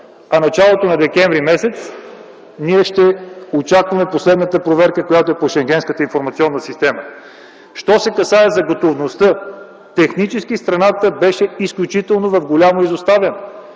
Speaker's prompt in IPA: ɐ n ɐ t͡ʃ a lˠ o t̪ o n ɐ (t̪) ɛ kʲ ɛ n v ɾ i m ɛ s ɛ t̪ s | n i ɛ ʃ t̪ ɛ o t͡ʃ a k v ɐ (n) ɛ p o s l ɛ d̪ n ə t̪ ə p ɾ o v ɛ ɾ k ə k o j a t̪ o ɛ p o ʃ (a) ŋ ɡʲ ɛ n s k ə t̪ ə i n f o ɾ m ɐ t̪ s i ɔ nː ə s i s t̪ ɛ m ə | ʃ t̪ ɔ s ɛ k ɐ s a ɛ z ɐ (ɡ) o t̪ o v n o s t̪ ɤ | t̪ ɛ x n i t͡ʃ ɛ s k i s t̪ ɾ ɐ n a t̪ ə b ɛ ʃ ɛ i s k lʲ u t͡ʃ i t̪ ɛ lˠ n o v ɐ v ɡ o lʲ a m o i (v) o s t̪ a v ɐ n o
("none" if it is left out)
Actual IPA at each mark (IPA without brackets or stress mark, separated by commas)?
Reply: d̪, m, ɛ, ɡ, z